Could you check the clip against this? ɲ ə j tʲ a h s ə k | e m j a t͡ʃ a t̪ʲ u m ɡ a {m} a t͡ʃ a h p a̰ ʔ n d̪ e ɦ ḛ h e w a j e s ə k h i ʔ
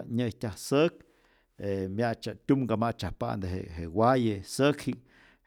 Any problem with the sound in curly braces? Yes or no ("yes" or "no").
no